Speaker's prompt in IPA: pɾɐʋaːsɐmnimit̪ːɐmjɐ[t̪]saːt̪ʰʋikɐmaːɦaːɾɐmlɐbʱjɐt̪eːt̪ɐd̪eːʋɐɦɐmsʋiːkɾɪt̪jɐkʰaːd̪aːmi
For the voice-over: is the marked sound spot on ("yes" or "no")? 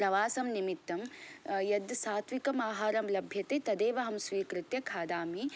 no